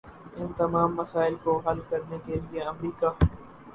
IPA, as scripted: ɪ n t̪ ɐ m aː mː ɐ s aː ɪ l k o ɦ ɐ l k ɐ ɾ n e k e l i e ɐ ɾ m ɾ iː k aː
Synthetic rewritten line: ɪ n t̪ ɐ m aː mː ɐ s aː ɪ l k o ɦ ɐ l k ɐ ɾ n e k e l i e ɐ m ɾ iː k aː